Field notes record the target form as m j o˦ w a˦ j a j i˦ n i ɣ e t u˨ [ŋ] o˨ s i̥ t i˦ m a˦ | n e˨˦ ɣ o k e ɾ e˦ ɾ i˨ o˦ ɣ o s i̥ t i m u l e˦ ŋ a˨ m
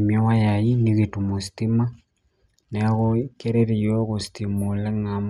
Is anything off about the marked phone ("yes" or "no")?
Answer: yes